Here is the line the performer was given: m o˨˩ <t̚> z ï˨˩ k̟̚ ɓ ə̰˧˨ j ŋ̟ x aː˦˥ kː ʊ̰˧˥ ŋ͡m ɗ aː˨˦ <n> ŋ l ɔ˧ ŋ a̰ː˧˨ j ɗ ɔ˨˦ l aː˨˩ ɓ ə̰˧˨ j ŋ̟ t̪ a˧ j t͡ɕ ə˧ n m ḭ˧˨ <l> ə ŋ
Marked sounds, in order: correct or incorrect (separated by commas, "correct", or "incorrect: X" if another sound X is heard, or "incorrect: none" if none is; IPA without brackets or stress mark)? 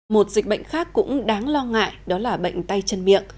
correct, incorrect: none, incorrect: none